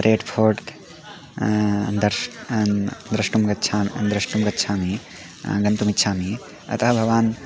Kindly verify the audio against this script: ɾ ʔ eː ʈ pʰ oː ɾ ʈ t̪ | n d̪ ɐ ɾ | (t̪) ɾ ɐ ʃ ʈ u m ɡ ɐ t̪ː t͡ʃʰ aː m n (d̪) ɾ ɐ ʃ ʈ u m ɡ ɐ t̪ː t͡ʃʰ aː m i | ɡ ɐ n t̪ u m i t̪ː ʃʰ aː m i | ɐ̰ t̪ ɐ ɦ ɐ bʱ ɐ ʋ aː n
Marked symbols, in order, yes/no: no, yes

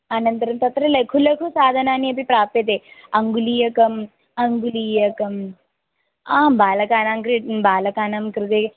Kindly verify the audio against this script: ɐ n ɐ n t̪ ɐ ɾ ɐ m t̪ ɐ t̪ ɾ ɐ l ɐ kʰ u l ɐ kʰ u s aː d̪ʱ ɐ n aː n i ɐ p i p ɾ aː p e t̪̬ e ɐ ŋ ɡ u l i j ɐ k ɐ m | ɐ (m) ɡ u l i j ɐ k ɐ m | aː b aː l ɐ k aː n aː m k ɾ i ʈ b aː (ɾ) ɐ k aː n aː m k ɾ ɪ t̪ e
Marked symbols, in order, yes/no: no, no

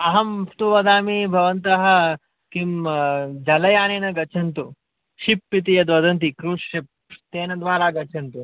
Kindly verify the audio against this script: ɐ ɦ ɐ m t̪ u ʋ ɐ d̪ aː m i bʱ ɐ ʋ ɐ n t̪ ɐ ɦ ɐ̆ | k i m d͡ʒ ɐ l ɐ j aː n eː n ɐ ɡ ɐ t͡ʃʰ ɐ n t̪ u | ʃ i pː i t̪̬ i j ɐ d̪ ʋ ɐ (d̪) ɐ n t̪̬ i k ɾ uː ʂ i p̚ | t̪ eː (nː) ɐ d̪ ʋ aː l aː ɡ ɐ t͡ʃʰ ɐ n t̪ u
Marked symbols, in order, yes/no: yes, no

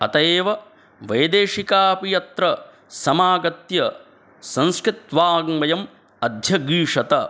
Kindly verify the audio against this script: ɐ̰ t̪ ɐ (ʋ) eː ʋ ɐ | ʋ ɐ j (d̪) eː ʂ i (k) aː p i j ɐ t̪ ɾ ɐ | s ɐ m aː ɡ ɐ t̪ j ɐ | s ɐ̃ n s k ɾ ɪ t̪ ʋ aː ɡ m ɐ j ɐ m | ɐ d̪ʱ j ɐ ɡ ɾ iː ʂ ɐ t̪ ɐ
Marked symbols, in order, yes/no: no, yes, yes

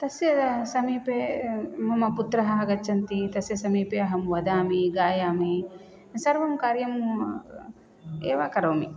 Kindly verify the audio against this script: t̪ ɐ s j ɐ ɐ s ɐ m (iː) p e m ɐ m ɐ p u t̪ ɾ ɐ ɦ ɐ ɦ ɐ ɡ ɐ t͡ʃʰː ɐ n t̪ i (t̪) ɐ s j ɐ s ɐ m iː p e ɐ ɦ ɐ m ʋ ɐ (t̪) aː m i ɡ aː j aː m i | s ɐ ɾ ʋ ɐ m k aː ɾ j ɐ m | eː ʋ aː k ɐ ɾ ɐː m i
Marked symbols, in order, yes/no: yes, yes, no

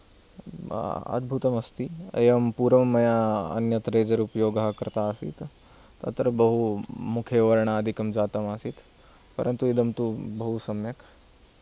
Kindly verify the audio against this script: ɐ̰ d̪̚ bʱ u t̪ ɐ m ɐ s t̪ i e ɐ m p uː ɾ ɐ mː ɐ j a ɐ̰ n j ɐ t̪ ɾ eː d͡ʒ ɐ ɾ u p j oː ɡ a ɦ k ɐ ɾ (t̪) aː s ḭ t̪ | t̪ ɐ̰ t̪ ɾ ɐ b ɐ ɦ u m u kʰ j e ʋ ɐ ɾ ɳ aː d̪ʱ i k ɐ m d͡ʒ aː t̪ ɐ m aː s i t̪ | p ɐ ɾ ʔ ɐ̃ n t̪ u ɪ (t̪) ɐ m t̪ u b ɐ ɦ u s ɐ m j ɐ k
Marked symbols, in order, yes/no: yes, no

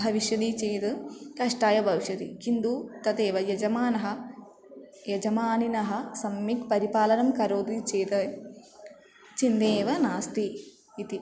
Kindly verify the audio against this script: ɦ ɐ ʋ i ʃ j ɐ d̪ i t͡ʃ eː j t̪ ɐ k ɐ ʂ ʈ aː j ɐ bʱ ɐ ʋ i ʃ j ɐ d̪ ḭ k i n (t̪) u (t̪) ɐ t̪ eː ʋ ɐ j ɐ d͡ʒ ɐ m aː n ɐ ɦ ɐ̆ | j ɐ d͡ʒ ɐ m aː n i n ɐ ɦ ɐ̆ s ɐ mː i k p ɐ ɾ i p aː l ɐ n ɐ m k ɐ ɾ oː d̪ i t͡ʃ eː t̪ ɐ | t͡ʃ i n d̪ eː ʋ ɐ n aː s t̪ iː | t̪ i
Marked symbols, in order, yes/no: no, yes

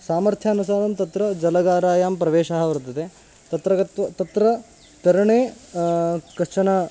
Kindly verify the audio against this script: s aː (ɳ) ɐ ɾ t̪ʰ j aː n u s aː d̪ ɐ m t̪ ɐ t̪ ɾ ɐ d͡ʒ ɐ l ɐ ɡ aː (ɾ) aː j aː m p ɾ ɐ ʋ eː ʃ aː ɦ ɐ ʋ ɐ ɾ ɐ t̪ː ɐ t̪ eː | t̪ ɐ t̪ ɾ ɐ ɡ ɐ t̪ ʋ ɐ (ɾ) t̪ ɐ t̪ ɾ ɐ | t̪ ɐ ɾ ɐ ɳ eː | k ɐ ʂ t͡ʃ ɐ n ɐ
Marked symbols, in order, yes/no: no, yes, no

